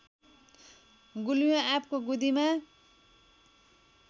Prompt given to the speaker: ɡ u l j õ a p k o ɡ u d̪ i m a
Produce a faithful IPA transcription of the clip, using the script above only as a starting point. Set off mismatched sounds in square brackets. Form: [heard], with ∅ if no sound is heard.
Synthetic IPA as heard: ɡ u l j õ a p k o ɡ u d̪ i m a